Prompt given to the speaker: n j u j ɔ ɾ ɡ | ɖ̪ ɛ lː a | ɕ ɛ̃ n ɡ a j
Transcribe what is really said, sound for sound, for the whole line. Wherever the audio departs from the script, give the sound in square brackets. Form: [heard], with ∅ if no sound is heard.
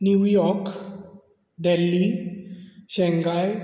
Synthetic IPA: n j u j ɔ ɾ [k] | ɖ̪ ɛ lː [i] | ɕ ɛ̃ [ŋ] ɡ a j